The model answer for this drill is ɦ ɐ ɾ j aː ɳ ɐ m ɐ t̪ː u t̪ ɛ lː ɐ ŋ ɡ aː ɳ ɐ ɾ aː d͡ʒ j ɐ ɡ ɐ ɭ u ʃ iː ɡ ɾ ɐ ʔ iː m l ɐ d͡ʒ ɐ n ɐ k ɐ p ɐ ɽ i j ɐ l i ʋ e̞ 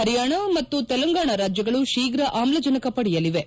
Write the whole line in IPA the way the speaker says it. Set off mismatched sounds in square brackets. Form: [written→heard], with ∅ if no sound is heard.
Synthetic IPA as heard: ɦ ɐ ɾ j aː ɳ ɐ m ɐ t̪ː u t̪ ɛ [lː→l] ɐ ŋ ɡ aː ɳ ɐ ɾ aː d͡ʒ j ɐ ɡ ɐ ɭ u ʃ iː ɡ ɾ ɐ ʔ [iː→aː] m l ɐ d͡ʒ ɐ n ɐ k ɐ p ɐ ɽ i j ɐ l i ʋ e̞